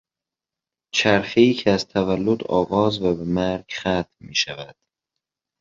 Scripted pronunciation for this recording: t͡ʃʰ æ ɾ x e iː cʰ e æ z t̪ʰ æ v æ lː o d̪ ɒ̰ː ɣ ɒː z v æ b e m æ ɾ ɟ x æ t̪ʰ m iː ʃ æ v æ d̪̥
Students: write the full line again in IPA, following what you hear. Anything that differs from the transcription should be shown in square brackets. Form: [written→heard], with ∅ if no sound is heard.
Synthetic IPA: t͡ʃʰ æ ɾ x e iː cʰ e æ z t̪ʰ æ v æ lː o d̪ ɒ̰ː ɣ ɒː z v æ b e m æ ɾ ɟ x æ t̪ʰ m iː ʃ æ v æ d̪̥